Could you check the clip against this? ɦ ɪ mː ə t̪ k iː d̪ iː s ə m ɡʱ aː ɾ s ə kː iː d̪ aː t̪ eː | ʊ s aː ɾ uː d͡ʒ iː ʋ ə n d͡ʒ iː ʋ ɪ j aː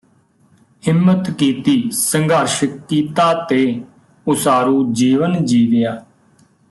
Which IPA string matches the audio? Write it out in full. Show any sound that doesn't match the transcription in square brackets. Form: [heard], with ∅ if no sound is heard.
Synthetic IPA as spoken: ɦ ɪ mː ə t̪ k iː [t̪] iː s ə [ŋ] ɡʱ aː ɾ [ʃ] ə kː iː [t̪] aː t̪ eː | ʊ s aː ɾ uː d͡ʒ iː ʋ ə n d͡ʒ iː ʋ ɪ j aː